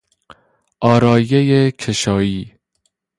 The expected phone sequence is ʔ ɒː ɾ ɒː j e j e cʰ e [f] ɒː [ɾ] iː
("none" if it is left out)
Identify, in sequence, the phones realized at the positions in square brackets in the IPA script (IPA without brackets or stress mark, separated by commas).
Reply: ʃ, none